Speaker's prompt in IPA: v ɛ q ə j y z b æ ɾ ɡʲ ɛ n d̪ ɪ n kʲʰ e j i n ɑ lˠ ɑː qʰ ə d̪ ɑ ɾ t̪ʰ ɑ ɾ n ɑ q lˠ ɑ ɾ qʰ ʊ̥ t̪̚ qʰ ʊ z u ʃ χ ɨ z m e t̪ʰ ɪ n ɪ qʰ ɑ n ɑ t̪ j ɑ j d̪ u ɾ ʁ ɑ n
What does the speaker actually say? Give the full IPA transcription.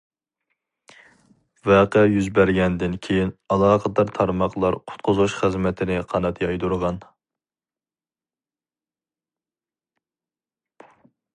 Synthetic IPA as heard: v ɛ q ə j y z b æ ɾ ɡʲ ɛ n d̪ ɪ n kʲʰ e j i n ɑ lˠ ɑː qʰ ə d̪ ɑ ɾ t̪ʰ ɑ ɾ m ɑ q lˠ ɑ ɾ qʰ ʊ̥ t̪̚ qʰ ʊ z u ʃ χ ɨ z m ɛ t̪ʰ ɪ n ɪ qʰ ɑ n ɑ t̪ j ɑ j d̪ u ɾ ʁ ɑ n

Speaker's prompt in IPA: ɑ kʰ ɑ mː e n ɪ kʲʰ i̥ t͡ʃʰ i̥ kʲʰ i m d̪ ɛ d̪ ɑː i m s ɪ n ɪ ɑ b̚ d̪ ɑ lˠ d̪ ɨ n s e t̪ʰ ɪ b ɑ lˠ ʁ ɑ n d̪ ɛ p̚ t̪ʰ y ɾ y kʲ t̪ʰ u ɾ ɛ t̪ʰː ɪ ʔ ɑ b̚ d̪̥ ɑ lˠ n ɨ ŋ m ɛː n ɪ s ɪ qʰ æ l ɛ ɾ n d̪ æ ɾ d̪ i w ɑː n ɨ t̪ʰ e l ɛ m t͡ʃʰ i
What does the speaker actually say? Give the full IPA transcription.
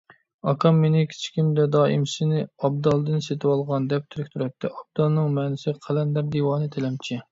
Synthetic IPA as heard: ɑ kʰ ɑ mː e n ɪ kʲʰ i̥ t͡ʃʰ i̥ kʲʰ i m d̪ ɛ d̪ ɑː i m s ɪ n ɪ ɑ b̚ d̪ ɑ lˠ d̪ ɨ n s e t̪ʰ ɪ w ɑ lˠ ʁ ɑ n d̪ ɛ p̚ t̪ʰ y ɾ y kʲ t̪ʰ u ɾ ɛ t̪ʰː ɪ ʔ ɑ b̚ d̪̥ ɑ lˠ n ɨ ŋ m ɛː n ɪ s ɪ qʰ æ l ɛ n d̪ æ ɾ d̪ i w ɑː n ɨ t̪ʰ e l ɛ m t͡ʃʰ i

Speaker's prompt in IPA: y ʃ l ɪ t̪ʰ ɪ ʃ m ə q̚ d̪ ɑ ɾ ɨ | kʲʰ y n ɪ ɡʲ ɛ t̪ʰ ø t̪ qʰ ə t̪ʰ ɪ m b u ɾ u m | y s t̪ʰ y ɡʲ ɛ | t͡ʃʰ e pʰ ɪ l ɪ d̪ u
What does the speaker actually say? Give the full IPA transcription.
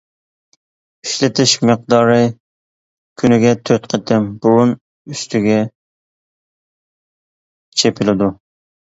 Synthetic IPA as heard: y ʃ l ɪ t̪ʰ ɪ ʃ m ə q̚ d̪ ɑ ɾ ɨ | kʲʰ y n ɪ ɡʲ ɛ t̪ʰ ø t̪ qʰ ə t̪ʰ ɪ m b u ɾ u n | y s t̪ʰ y ɡʲ ɛ | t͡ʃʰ e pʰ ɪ l ɪ d̪ u

